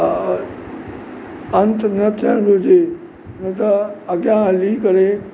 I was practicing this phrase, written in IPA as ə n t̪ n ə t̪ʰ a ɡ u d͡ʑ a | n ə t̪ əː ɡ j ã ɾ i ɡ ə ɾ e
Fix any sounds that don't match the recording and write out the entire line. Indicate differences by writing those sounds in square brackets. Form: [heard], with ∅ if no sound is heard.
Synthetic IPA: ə n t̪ n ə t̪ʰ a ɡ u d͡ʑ [e] | n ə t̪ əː ɡ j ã [l] i [k] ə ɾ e